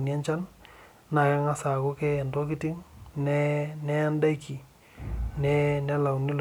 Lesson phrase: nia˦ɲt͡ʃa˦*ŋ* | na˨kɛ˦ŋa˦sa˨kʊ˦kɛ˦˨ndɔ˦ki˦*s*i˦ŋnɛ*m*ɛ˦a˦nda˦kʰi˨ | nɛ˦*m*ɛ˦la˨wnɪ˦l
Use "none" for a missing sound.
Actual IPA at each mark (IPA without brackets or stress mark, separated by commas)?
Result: n, t, n, n